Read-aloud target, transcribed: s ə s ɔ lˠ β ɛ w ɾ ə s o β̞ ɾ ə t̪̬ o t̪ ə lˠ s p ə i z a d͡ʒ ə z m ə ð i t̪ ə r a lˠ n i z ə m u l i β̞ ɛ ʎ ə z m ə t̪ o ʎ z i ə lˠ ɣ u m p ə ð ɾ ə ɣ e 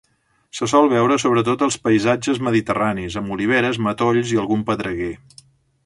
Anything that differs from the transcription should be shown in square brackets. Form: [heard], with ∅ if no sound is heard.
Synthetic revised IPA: s ə s ɔ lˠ β ɛ w ɾ ə s o β̞ ɾ ə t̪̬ o t̪ ə lˠ s p ə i z a d͡ʒ ə z m ə ð i t̪ ə r a [∅] n i z ə m u l i β̞ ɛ [ɾ] ə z m ə t̪ o ʎ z i ə lˠ ɣ u m p ə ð ɾ ə ɣ e